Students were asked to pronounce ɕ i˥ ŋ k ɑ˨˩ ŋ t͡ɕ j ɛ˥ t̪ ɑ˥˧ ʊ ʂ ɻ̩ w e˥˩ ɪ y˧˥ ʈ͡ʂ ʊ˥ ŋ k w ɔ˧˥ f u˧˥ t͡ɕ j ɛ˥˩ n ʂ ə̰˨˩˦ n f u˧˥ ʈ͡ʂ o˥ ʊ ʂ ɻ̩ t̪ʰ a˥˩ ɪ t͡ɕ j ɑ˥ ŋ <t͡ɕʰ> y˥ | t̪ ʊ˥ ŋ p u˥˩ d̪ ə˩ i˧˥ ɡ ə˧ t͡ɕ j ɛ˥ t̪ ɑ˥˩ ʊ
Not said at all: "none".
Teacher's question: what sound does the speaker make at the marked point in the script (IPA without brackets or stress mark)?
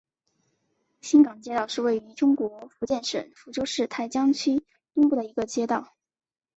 t͡ɕʰ